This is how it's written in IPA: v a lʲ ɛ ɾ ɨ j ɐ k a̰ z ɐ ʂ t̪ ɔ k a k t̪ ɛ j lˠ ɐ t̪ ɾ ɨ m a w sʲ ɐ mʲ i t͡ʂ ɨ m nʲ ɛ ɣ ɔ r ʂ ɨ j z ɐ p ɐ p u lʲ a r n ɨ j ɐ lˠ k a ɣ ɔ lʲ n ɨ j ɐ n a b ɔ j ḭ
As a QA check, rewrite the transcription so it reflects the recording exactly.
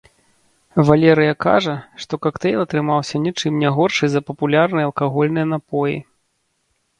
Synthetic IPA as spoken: v a lʲ ɛ ɾ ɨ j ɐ k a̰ ʐ ɐ ʂ t̪ ɔ k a k t̪ ɛ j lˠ ɐ t̪ ɾ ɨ m a w sʲ ɐ nʲ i t͡ʂ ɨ m nʲ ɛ ɣ ɔ r ʂ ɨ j z ɐ p ɐ p u lʲ a r n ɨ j ɐ lˠ k a ɣ ɔ lʲ n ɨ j ɐ n a p ɔ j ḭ

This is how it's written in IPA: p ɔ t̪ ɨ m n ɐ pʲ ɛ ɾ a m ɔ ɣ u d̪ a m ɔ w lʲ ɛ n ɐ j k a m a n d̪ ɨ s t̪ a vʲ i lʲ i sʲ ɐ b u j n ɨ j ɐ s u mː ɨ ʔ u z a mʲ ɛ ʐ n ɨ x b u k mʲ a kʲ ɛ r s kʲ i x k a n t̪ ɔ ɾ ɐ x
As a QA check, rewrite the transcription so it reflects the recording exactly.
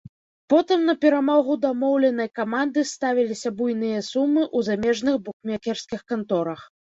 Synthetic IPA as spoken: p ɔ t̪ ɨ m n ɐ pʲ ɛ ɾ a m ɔ ɣ u d̪ a m ɔ w lʲ ɛ n ɐ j k a m a n d̪ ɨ s t̪ a vʲ i lʲ i sʲ ɐ b u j n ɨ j ɐ s u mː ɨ ʔ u z a mʲ ɛ ʐ n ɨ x b u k mʲ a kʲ ɛ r s kʲ i x k a n t̪ ɔ ɾ ɐ x

